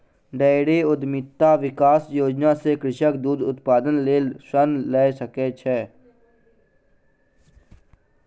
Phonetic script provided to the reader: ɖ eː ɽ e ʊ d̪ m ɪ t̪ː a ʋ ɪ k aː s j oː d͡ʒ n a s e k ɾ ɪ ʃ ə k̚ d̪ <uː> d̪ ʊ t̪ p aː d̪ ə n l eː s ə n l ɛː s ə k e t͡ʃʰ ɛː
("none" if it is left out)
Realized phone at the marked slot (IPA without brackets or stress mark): uː